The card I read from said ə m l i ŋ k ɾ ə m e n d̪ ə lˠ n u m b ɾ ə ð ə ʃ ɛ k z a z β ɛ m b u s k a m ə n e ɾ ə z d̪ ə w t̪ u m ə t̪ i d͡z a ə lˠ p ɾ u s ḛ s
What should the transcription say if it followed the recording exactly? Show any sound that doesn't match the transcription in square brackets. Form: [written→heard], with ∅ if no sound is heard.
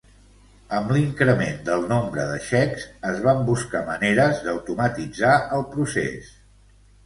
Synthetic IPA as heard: ə m l i ŋ k ɾ ə m e n d̪ ə lˠ n [u→o] m b ɾ ə ð ə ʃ ɛ k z [a→ə] z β [ɛ→a] m b u s k a m ə n e ɾ ə z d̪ ə w t̪ u m ə t̪ i d͡z a ə lˠ p ɾ u s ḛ s